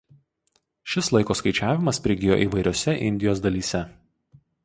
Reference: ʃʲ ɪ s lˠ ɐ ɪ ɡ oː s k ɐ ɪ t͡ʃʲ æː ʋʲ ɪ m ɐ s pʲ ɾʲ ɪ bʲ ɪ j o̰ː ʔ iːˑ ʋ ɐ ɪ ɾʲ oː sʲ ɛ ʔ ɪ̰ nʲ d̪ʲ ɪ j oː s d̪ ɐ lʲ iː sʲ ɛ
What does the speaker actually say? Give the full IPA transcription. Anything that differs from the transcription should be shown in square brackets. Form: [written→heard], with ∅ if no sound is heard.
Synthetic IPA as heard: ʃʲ ɪ s lˠ ɐ ɪ [ɡ→k] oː s k ɐ ɪ t͡ʃʲ æː ʋʲ ɪ m ɐ s pʲ ɾʲ ɪ [bʲ→ɡʲ] ɪ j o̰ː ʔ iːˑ ʋ ɐ ɪ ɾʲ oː sʲ ɛ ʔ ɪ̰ nʲ d̪ʲ ɪ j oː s d̪ ɐ lʲ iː sʲ ɛ

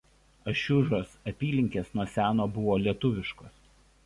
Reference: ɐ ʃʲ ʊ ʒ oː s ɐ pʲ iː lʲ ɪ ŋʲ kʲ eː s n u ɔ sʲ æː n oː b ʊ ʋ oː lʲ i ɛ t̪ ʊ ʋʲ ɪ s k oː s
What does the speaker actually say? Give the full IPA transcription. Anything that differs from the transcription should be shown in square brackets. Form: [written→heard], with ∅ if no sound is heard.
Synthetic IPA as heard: ɐ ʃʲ ʊ ʒ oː s ɐ pʲ iː lʲ ɪ ŋʲ kʲ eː s n u ɔ sʲ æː n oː b ʊ ʋ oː lʲ i ɛ t̪ ʊ ʋʲ ɪ [s→ʃ] k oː s

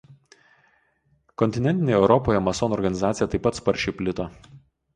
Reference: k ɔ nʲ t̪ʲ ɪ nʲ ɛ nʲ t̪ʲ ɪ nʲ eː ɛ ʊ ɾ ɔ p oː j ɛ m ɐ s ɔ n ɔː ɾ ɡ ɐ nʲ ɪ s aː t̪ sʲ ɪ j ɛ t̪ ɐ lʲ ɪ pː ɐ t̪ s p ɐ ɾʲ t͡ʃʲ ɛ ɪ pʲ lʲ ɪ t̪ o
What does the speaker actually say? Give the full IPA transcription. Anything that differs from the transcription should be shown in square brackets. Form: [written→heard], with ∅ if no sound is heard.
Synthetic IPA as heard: k ɔ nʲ t̪ʲ ɪ nʲ ɛ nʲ t̪ʲ ɪ nʲ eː ɛ ʊ ɾ ɔ p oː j ɛ m ɐ s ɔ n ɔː ɾ ɡ ɐ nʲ ɪ [s→z] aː t̪ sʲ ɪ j ɛ t̪ ɐ [lʲ→∅] ɪ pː ɐ t̪ s p ɐ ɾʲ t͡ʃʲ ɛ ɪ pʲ lʲ ɪ t̪ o

